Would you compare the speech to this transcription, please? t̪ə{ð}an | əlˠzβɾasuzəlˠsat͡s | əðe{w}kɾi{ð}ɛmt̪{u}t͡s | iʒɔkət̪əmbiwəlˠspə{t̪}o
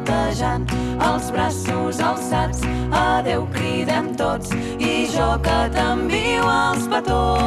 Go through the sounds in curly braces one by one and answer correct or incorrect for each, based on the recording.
incorrect: ʒ, correct, correct, incorrect: o, correct

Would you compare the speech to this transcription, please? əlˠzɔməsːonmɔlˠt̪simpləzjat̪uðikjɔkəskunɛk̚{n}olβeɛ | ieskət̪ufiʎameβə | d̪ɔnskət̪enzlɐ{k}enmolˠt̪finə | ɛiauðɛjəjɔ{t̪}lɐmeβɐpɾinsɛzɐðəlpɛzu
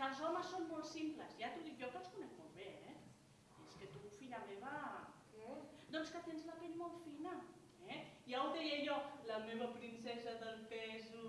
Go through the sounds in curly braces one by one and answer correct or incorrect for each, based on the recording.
incorrect: m, incorrect: p, incorrect: none

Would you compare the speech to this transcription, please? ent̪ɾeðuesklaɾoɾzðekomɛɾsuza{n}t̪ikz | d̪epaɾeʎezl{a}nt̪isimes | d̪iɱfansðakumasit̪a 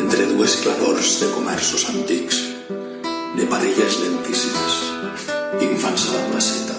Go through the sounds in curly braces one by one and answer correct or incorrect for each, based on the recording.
correct, incorrect: e

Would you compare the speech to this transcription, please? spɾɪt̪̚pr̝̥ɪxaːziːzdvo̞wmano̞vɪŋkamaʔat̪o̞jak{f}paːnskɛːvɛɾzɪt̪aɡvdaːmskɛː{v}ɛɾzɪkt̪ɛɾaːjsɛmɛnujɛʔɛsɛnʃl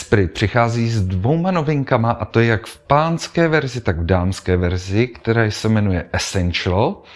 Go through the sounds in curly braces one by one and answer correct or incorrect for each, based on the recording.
correct, correct

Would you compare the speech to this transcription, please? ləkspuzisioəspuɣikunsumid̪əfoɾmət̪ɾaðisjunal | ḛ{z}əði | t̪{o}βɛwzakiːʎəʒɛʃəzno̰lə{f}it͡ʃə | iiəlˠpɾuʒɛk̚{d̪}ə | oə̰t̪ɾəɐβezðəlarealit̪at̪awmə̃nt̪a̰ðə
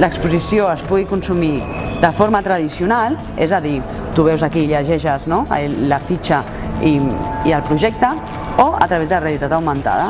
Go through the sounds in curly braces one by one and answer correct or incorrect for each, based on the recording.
correct, incorrect: u, correct, incorrect: t̪

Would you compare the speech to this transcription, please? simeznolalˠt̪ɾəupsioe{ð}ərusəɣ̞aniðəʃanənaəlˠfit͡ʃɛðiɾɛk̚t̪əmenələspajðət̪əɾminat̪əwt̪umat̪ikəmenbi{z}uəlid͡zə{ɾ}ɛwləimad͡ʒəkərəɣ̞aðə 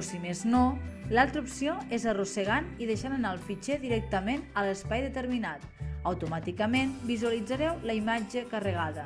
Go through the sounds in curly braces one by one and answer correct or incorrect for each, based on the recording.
incorrect: z, correct, correct

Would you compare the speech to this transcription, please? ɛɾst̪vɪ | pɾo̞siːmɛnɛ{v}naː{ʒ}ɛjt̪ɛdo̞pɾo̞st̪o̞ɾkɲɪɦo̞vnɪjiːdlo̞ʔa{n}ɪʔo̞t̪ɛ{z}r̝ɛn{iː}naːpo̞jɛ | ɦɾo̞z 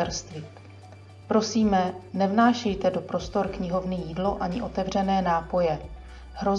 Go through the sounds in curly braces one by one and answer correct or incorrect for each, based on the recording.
correct, incorrect: ʃ, incorrect: ɲ, incorrect: v, incorrect: ɛː

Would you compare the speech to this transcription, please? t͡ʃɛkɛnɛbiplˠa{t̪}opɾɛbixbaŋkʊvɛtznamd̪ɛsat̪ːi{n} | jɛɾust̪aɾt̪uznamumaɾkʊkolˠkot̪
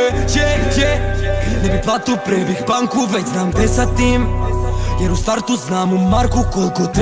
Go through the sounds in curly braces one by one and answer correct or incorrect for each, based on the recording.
correct, incorrect: m

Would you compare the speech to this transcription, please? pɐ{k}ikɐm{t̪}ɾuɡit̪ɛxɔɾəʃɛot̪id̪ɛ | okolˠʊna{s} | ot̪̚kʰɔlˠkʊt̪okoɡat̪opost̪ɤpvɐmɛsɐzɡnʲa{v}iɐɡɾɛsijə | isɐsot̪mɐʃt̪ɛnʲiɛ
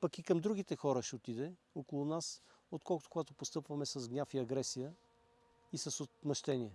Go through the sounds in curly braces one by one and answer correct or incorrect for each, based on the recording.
correct, incorrect: d̪, correct, incorrect: f

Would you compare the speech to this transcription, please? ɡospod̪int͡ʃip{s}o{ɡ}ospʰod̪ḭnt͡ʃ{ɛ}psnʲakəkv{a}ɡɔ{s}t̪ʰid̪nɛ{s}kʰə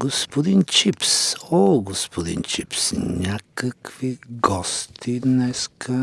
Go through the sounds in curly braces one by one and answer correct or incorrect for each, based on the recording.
correct, correct, incorrect: i, incorrect: i, correct, correct

